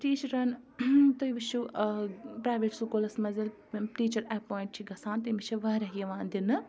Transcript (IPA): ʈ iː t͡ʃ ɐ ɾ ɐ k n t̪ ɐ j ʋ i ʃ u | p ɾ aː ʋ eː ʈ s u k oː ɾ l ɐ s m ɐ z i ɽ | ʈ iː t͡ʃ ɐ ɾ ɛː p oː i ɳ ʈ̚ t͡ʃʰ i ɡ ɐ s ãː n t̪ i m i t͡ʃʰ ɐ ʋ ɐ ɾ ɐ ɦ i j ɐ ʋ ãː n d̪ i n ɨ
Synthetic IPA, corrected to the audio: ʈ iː t͡ʃ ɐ ɾ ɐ n t̪ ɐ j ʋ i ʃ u | p ɾ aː ʋ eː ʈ s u k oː l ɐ s m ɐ z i l | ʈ iː t͡ʃ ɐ ɾ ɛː p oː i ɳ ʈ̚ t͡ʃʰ i ɡ ɐ s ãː n t̪ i m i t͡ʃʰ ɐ ʋ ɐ ɾ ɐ ɦ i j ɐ ʋ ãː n d̪ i n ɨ